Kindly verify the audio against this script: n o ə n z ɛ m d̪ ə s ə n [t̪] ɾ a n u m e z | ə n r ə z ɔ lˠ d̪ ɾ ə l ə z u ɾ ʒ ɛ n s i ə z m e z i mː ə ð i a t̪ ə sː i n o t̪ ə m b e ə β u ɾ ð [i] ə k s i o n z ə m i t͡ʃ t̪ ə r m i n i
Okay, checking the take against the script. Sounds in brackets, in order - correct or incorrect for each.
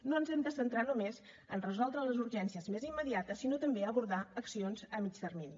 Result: correct, incorrect: a

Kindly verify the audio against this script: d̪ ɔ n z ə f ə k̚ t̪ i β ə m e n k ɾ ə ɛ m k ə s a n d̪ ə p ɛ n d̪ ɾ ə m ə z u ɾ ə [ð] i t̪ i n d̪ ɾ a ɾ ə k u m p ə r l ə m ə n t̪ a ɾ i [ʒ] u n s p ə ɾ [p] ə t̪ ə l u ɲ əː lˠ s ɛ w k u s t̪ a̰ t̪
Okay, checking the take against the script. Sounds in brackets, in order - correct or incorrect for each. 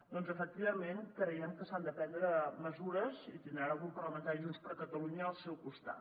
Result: incorrect: z, correct, incorrect: k

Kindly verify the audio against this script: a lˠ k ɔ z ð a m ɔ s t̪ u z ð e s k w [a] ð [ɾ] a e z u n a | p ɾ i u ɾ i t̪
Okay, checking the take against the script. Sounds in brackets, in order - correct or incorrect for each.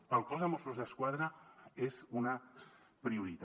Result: correct, correct

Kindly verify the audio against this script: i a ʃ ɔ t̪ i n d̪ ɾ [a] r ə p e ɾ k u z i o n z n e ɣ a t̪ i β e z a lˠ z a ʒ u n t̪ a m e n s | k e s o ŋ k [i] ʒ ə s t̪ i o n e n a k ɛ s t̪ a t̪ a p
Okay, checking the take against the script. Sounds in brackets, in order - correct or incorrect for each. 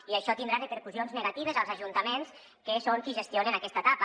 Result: correct, correct

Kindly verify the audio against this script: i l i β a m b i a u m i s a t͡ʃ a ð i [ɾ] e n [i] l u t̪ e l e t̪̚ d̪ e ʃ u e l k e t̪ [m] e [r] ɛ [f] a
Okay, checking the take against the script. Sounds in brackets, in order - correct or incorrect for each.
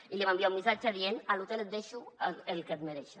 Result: incorrect: none, incorrect: a, correct, incorrect: ɾ, incorrect: ʃ

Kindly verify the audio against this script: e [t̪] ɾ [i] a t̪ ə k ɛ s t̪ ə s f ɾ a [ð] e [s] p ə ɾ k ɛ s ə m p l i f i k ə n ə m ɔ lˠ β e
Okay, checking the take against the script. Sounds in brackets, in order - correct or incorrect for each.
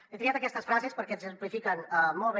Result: correct, correct, incorrect: z, correct

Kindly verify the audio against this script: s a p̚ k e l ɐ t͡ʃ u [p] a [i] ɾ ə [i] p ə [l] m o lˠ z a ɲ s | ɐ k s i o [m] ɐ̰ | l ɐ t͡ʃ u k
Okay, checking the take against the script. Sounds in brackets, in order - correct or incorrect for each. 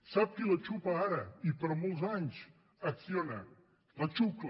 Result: correct, incorrect: a, correct, incorrect: ɾ, incorrect: n

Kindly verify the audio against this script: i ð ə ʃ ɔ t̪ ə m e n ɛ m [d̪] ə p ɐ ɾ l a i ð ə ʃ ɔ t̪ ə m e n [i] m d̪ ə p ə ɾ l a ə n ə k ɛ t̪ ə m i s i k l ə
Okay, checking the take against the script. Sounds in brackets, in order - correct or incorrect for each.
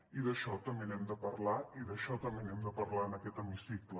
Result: correct, incorrect: ɛ

